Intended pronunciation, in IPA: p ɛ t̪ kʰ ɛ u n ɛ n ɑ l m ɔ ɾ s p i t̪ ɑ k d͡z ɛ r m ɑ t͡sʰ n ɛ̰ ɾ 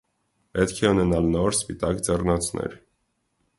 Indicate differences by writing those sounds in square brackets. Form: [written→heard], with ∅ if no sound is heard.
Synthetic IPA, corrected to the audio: p ɛ t̪ kʰ ɛ u n ɛ n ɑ l [m→n] ɔ ɾ s p i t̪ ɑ k d͡z ɛ r [m→n] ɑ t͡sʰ n ɛ̰ ɾ

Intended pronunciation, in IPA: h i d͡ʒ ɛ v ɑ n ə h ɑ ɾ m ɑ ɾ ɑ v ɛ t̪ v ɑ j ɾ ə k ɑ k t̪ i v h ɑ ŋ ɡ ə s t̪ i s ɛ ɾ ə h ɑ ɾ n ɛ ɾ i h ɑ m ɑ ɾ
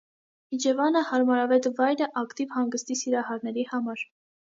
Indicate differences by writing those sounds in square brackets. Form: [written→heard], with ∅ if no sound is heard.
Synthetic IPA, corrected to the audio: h i d͡ʒ ɛ v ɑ n ə h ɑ ɾ m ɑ ɾ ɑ v ɛ t̪ v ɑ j ɾ ə [k→ʔ] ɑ k t̪ i v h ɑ ŋ ɡ ə s t̪ i s [ɛ→i] ɾ [ə→ɑ] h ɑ ɾ n ɛ ɾ i h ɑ m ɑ ɾ

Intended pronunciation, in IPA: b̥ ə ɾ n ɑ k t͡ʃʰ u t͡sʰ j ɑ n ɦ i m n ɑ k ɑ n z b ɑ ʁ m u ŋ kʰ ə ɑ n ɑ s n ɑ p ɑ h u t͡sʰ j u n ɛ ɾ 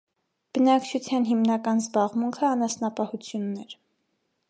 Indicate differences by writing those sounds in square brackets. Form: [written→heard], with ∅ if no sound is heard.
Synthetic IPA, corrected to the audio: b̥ ə [ɾ→∅] n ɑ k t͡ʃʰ u t͡sʰ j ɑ n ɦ i m n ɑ k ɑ n z b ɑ ʁ m u ŋ kʰ ə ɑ n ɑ s n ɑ p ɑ h u t͡sʰ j u [n→nː] ɛ ɾ

